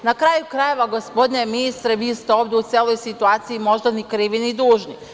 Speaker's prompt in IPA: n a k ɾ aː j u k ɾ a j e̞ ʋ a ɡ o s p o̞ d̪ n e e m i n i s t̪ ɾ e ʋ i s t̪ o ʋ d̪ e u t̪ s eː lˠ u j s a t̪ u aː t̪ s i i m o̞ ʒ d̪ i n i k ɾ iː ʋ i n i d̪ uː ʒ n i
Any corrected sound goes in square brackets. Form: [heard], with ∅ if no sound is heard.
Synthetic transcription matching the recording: n a k ɾ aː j u k ɾ a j e̞ ʋ a ɡ o s p o̞ d̪ n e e m i n i s t̪ ɾ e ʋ i s t̪ o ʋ d̪ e u t̪ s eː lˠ [o] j s [i] t̪ u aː t̪ s i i m o̞ ʒ d̪ [a] n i k ɾ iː ʋ i n i d̪ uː ʒ n i